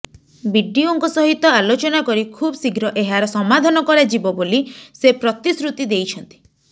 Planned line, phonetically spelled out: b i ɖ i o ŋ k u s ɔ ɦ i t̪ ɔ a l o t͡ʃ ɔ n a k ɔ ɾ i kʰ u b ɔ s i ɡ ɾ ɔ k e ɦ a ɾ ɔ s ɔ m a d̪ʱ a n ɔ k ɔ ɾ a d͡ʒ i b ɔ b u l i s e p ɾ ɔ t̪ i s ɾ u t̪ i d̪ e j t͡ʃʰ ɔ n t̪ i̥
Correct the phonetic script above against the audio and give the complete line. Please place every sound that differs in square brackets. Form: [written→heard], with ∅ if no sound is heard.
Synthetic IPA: b i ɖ i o ŋ k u s ɔ ɦ i t̪ ɔ a l o t͡ʃ ɔ n a k ɔ ɾ i kʰ u b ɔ s i ɡ ɾ ɔ [k→ʔ] e ɦ a ɾ ɔ s ɔ m a d̪ʱ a n ɔ k ɔ ɾ a d͡ʒ i b ɔ b [u→o] l i s e p ɾ ɔ t̪ i s ɾ u t̪ i d̪ e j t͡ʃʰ ɔ n t̪ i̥